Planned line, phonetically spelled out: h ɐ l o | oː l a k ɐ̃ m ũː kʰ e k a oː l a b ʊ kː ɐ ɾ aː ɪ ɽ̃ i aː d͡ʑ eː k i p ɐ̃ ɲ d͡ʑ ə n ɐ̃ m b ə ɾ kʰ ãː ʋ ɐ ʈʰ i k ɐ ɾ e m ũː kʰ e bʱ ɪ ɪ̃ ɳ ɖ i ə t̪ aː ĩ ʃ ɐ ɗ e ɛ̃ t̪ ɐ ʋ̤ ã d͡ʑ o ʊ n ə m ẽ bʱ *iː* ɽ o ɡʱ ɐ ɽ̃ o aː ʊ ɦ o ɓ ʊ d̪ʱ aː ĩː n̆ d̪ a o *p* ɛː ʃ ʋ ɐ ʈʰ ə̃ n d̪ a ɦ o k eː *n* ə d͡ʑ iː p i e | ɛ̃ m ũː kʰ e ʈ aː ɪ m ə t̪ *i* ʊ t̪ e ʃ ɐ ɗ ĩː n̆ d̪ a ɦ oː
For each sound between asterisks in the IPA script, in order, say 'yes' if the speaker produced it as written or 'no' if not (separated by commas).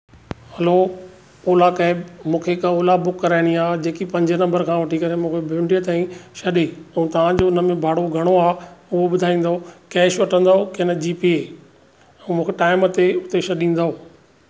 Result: no, no, yes, no